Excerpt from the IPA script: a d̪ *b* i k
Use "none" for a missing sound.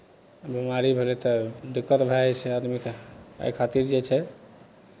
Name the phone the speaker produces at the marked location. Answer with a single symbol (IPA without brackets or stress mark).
m